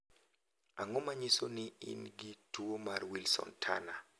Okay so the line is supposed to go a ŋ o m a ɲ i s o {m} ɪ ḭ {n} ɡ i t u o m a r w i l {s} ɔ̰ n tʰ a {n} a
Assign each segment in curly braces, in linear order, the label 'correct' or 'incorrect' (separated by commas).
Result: incorrect, correct, correct, correct